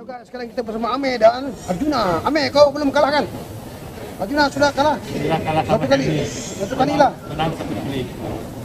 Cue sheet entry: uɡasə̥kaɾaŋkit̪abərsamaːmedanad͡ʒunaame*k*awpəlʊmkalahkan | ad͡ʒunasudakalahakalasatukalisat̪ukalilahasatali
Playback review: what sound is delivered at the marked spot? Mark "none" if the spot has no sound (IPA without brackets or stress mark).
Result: k